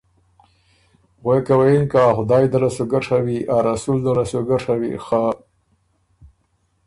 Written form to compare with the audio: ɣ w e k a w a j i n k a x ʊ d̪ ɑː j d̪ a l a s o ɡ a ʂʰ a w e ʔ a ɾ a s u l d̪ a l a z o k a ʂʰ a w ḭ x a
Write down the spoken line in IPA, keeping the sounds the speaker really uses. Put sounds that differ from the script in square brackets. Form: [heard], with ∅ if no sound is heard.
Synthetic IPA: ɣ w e k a w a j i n k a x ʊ d̪ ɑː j d̪ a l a s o ɡ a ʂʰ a w [i] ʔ a ɾ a s u l d̪ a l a [s] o [ɡ] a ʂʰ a w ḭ x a